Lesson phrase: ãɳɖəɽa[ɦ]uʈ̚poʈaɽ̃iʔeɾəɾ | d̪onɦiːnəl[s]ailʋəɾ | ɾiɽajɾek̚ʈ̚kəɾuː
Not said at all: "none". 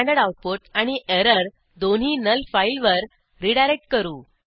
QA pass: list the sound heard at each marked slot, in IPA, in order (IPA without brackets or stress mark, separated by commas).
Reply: none, f